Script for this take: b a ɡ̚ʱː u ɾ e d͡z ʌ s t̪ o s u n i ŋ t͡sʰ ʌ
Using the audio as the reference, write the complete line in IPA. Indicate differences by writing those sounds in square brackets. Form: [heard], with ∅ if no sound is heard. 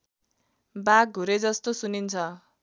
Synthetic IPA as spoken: b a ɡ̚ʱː u ɾ e d͡z ʌ s t̪ o s u n i [n] t͡sʰ ʌ